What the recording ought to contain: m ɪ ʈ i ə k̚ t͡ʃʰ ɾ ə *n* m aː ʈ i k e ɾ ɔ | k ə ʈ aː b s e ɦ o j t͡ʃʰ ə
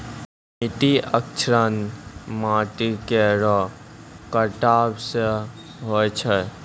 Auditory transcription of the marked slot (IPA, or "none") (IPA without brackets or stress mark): n